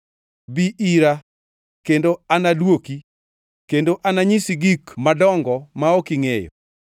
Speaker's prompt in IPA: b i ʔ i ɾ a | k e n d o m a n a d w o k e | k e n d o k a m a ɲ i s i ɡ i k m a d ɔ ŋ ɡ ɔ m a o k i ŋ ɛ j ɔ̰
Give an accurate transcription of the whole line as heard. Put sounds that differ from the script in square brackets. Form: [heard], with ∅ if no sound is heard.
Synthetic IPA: b i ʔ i ɾ a | k e n d o [∅] a n a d w o k [i] | k e n d o [ʔ] a [n] a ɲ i s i ɡ i k m a d ɔ ŋ ɡ ɔ m a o k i ŋ [e] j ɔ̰